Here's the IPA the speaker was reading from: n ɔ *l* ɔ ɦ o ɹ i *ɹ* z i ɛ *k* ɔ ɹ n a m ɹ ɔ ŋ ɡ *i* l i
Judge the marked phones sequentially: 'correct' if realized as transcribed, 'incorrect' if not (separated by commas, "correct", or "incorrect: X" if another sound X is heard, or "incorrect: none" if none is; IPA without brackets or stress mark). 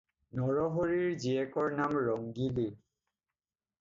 incorrect: ɹ, correct, correct, correct